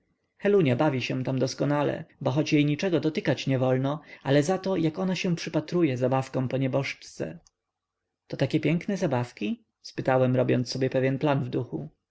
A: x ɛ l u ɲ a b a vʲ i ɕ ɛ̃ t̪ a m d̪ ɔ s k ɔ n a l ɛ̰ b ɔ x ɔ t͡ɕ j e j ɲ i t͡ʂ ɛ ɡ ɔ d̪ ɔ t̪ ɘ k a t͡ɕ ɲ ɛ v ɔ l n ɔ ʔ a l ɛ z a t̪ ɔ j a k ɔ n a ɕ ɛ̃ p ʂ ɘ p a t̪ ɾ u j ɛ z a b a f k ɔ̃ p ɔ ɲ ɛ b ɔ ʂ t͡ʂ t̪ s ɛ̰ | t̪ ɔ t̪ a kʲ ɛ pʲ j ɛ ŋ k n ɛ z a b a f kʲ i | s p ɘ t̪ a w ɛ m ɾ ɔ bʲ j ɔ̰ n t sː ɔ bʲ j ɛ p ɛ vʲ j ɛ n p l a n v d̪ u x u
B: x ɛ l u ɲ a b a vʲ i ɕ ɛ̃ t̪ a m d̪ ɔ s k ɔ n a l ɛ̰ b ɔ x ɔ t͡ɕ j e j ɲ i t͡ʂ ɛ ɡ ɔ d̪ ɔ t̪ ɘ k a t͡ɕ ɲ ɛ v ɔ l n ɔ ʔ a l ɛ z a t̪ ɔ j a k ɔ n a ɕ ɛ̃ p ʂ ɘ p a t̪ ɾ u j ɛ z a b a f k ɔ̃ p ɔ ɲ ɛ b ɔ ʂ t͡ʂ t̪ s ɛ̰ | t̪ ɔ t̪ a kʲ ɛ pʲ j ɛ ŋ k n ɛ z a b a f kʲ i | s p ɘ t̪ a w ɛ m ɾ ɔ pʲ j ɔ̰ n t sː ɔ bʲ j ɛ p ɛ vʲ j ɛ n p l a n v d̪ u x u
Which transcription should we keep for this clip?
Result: A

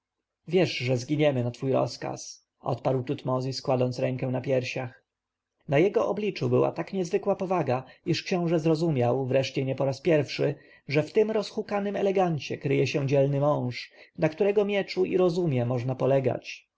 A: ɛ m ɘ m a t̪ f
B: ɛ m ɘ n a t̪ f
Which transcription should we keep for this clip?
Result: B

